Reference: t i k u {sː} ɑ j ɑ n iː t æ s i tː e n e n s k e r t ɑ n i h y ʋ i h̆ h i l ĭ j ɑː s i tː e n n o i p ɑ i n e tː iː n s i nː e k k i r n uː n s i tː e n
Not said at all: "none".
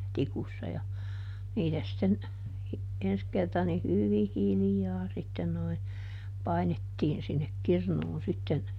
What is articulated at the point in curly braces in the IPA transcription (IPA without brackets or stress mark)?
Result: sː